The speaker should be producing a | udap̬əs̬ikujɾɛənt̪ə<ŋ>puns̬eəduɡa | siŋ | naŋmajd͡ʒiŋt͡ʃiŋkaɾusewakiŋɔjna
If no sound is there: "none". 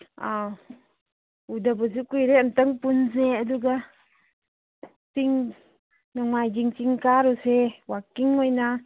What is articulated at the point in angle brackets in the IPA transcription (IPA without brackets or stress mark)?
ŋ